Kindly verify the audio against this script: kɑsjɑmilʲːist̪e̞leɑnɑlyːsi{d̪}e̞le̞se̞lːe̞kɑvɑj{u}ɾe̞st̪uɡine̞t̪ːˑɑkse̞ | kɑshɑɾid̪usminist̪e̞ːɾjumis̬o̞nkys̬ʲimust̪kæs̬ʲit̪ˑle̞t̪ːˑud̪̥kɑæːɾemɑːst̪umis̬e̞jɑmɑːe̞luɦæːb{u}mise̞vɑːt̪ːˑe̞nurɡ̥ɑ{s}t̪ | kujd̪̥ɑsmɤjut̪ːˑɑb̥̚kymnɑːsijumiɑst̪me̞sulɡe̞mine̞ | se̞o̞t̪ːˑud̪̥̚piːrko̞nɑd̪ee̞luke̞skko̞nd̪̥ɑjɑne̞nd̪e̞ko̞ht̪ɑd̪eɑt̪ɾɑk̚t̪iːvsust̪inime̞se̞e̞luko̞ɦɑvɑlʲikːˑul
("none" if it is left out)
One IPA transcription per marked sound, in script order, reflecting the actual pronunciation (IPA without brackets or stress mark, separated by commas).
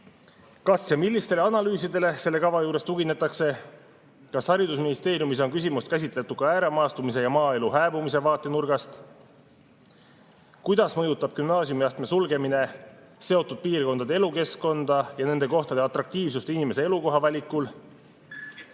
d̪, uː, u, s